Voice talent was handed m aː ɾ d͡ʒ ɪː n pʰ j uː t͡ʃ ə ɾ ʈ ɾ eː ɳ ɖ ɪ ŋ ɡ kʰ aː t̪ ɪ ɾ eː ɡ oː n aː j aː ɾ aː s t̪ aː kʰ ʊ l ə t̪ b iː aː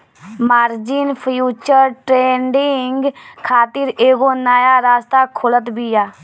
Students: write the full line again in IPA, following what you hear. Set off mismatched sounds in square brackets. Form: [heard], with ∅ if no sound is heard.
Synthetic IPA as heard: m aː ɾ d͡ʒ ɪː n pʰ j uː t͡ʃ ə ɾ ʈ ɾ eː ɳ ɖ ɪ ŋ ɡ kʰ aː t̪ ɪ ɾ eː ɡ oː n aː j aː ɾ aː s t̪ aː kʰ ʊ l ə t̪ b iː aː